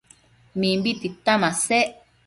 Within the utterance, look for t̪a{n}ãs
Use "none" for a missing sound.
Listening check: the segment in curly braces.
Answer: m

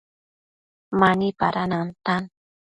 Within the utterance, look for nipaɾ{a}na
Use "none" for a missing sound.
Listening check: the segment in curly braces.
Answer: a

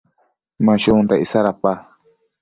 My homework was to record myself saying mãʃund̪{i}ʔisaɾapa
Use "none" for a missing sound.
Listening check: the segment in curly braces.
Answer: a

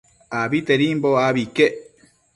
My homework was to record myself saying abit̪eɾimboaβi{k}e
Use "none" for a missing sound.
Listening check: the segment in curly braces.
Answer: k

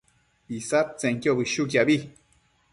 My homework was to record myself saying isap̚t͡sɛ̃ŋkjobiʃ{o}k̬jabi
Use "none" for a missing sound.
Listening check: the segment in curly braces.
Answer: u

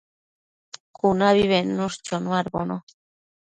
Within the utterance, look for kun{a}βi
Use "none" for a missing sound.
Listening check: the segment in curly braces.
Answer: a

